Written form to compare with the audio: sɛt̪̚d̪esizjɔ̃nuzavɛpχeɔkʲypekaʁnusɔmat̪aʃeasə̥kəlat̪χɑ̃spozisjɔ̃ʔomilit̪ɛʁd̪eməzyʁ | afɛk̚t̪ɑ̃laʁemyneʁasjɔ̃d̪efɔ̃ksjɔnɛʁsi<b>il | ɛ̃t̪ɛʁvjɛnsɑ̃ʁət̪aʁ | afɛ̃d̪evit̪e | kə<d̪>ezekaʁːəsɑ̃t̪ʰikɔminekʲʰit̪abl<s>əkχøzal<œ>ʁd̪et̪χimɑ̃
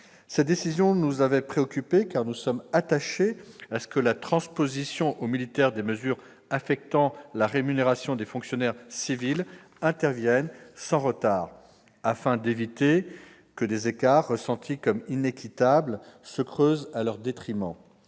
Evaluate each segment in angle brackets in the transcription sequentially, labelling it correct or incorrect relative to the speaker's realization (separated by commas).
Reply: incorrect, correct, correct, correct